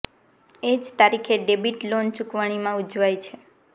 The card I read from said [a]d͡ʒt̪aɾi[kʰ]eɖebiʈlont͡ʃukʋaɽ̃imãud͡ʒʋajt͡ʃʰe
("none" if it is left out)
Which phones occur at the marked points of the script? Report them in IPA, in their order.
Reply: e, kʰ

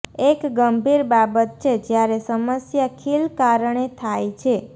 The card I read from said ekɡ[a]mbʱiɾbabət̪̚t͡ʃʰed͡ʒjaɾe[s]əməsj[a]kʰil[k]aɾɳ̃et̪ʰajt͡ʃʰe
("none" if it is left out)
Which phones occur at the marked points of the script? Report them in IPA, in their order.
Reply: ə, s, a, k

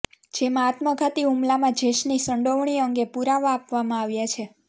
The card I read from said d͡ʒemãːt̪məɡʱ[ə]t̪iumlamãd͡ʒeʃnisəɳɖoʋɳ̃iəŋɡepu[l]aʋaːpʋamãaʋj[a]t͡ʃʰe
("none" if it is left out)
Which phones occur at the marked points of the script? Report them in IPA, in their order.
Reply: a, ɾ, a

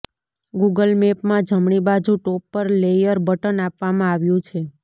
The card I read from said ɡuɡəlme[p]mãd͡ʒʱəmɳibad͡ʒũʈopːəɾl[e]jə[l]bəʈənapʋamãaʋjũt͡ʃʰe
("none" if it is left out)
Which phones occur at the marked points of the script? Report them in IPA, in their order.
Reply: p, e, ɾ

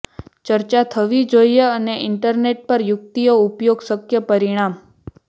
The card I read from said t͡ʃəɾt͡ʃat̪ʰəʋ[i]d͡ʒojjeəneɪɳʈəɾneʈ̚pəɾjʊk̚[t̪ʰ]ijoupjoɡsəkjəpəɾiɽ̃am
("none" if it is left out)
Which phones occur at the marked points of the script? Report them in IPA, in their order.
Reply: i, t̪

